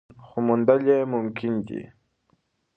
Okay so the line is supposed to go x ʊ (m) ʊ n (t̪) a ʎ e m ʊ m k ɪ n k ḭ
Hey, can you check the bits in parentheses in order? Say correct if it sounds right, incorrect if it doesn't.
correct, incorrect: d̪

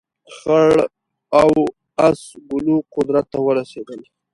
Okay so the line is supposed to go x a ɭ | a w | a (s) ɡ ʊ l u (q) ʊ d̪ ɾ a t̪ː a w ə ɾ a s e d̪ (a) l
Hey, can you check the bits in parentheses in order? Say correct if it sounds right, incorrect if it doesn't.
correct, correct, incorrect: ə

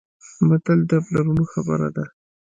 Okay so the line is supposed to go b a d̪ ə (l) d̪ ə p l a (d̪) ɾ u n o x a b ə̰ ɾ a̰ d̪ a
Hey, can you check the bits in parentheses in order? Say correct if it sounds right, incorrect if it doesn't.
correct, incorrect: none

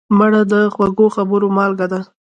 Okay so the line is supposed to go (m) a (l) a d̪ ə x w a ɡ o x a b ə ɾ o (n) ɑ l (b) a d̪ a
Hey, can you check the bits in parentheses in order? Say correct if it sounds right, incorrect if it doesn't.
correct, incorrect: ɽ, incorrect: m, incorrect: ɡ

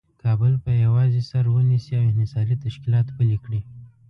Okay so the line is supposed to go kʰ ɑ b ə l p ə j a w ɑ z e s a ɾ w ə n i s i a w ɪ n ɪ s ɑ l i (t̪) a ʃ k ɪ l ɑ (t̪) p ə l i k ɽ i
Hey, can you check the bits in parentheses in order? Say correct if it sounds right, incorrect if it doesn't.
correct, correct

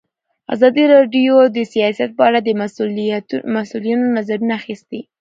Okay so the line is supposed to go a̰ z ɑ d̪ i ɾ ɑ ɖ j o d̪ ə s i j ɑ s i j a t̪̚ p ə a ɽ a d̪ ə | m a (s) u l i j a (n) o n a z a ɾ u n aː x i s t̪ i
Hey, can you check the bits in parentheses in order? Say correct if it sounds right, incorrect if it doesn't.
correct, correct

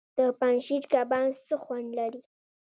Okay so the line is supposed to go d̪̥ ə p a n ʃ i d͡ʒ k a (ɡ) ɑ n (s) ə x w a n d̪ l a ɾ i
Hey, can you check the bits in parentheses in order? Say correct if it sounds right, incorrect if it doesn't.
incorrect: b, correct

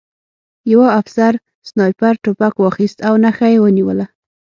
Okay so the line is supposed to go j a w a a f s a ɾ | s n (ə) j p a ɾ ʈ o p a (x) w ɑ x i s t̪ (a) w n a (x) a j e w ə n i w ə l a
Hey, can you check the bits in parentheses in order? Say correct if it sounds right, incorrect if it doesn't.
incorrect: ɑ, incorrect: k, correct, correct

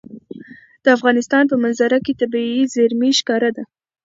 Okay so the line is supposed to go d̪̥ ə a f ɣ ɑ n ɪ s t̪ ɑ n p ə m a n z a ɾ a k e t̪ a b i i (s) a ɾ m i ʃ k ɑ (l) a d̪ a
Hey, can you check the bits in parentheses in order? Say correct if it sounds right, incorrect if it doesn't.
incorrect: z, incorrect: ɾ

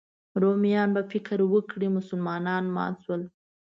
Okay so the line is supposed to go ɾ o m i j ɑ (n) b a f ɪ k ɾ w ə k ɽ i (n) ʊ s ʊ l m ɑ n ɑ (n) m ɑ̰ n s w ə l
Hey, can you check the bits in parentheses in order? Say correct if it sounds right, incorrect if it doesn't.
correct, incorrect: m, correct

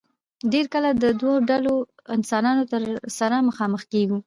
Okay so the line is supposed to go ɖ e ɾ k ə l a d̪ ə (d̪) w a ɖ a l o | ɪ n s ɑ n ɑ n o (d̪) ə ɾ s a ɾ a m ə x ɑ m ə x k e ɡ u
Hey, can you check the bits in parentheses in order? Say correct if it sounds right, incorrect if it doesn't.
correct, incorrect: t̪

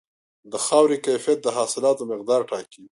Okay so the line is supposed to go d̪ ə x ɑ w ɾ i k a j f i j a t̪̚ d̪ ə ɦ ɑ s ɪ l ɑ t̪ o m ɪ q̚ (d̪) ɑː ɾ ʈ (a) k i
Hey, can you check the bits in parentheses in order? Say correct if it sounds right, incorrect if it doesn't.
correct, incorrect: ɑ

